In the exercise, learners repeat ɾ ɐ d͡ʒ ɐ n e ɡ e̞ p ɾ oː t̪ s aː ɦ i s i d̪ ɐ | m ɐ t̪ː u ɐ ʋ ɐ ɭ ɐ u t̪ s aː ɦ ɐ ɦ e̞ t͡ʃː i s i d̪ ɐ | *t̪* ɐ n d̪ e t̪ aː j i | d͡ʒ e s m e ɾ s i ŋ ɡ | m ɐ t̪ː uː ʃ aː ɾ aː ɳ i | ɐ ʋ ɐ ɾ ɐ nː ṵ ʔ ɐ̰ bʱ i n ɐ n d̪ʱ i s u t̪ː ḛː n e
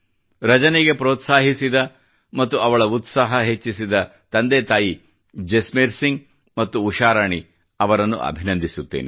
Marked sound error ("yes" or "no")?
no